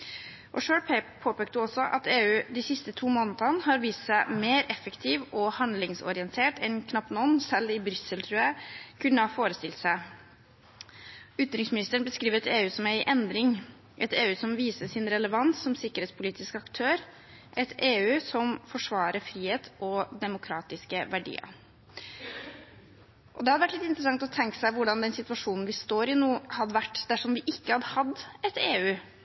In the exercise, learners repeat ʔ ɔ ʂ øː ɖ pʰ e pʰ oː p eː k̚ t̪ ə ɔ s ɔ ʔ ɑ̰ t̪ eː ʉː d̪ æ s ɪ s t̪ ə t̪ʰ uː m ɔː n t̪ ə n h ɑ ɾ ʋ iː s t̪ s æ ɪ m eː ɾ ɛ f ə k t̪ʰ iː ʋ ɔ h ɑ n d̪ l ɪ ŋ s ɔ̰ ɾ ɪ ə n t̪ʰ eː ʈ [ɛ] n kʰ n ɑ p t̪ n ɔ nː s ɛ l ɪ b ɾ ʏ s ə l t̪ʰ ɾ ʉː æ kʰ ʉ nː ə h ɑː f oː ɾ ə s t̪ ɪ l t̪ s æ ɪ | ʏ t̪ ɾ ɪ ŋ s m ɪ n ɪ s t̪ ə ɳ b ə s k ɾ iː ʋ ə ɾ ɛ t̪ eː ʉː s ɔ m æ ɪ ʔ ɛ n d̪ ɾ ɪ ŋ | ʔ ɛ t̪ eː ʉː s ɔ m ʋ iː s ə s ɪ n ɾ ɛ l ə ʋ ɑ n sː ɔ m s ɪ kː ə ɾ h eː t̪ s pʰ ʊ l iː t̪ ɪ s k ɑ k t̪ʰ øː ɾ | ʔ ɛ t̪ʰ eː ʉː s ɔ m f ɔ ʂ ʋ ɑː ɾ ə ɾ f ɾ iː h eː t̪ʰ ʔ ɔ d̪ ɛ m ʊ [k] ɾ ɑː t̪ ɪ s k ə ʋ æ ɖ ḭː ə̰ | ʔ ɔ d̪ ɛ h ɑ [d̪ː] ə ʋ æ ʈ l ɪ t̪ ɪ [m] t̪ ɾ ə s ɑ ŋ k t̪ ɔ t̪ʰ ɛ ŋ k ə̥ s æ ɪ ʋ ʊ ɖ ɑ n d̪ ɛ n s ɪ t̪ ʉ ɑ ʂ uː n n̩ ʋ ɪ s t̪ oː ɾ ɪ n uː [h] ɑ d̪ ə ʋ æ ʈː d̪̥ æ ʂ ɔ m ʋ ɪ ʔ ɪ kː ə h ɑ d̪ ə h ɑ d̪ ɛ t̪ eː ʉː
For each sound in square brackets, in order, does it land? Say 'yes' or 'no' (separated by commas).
yes, no, no, no, yes